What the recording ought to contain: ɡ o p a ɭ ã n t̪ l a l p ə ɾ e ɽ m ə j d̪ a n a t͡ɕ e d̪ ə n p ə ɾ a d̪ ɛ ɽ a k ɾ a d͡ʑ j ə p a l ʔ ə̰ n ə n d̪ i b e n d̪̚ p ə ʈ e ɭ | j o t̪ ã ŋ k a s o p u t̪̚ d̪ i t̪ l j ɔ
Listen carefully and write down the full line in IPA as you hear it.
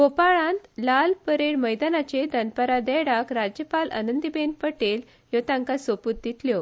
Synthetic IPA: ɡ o p a ɭ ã n t̪ l a l p ə ɾ e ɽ m ə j d̪ a n a t͡ɕ e d̪ ə n p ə ɾ a d̪ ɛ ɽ a k ɾ a d͡ʑ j ə p a l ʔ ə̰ n ə n d̪ i b e n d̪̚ p ə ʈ e l | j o t̪ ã ŋ k a s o p u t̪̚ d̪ i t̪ l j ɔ

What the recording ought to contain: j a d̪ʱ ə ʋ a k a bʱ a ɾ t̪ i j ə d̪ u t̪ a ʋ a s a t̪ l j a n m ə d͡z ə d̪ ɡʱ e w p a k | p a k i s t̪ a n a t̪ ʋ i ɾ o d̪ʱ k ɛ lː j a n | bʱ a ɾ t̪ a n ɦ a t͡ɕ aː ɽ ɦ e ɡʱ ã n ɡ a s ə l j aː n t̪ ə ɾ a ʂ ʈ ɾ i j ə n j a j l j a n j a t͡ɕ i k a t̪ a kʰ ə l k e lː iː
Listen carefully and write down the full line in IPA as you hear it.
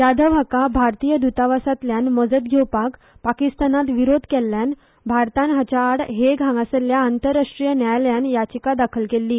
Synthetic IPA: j a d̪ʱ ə ʋ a k a bʱ a ɾ t̪ i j ə d̪ u t̪ a ʋ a s a t̪ l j a n m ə d͡z ə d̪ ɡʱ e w p a k | p a k i s t̪ a n a t̪ ʋ i ɾ o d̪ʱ k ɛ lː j a n | bʱ a ɾ t̪ a n ɦ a t͡ɕ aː ɽ ɦ e ɡʱ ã ŋ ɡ a s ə l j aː n t̪ ə ɾ a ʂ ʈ ɾ i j ə n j a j l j a n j a t͡ɕ i k a d̪ a kʰ ə l k e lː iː

